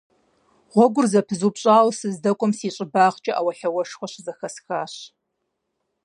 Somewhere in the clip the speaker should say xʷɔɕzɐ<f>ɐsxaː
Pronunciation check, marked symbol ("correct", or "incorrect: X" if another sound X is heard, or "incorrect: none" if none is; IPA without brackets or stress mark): incorrect: x